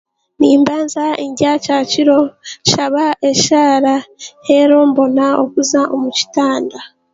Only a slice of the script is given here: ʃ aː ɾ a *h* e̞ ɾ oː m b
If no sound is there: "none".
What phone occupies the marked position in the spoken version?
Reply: h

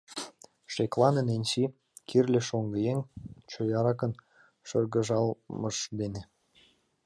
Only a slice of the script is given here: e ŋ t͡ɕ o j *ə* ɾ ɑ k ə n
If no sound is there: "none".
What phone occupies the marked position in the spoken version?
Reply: ɑ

